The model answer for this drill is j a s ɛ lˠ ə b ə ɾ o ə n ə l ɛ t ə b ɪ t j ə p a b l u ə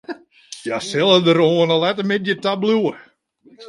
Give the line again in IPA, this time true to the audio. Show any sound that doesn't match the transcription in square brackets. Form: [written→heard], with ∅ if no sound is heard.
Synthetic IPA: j a s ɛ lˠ ə [b→d] ə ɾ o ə n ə l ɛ t ə [b→m] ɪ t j ə [p→t] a b l u ə